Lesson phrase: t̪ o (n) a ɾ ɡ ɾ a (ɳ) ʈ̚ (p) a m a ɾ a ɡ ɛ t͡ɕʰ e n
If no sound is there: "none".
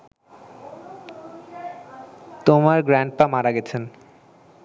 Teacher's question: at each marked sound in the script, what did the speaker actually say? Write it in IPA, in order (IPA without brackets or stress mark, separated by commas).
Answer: m, ɳ, p